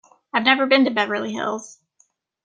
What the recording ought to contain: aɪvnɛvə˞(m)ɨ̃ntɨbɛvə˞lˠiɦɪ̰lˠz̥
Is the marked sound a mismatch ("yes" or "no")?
yes